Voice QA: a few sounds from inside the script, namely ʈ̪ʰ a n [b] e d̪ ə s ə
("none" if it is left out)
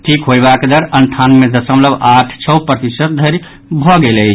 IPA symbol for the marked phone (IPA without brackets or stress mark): m